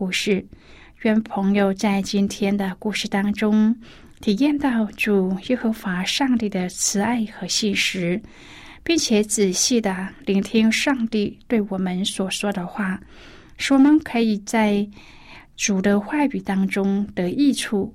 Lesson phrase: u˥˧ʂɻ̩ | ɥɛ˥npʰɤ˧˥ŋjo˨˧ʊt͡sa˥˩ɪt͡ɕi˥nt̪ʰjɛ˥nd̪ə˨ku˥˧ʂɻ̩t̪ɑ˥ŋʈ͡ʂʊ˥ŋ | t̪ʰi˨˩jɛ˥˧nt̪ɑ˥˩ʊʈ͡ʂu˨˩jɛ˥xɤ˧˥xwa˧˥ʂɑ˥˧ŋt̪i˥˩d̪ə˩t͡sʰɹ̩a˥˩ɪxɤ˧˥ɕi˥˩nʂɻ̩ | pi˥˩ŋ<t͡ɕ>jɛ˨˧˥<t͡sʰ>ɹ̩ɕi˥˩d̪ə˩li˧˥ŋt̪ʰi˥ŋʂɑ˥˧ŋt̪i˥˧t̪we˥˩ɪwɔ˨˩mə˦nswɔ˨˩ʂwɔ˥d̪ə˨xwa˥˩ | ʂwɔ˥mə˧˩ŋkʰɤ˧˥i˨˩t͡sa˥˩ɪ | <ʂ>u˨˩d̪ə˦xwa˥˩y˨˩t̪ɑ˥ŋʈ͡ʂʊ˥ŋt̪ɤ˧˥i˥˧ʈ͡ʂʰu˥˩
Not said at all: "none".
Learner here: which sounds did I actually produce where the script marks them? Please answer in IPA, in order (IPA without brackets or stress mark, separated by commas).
t͡ɕʰ, t͡s, ʈ͡ʂ